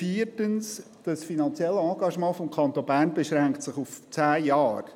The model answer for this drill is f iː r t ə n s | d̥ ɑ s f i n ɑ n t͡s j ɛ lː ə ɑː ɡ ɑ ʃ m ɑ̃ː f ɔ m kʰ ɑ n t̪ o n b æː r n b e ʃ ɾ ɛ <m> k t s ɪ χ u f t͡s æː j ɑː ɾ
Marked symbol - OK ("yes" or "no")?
no